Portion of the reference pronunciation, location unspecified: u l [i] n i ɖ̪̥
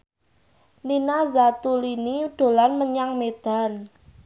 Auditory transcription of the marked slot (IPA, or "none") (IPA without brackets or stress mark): i